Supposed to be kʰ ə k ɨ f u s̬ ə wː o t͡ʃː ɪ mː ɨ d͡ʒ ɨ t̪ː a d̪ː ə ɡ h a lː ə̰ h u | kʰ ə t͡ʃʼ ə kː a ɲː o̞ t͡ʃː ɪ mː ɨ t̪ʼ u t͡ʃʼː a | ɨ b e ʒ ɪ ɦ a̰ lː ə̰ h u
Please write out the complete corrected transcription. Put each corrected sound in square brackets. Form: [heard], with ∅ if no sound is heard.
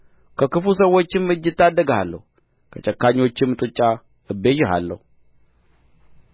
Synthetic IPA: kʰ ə k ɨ f u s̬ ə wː o t͡ʃː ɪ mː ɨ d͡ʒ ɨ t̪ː a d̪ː ə ɡ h a lː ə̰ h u | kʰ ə t͡ʃʼ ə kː a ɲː o̞ t͡ʃː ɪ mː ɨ t̪ʼ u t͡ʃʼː a | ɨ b e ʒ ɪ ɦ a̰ lː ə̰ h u